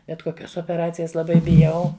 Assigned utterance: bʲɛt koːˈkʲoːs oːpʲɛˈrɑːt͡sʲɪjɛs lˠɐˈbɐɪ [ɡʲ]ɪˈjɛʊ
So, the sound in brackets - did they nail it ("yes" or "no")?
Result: no